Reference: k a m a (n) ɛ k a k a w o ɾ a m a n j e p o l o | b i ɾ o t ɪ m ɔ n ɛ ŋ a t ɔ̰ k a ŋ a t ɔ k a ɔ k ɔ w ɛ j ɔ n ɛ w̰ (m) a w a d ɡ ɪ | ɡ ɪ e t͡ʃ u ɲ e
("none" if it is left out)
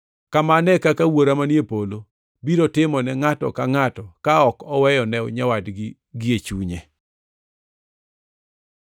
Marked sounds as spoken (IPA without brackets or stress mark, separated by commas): n, ɲ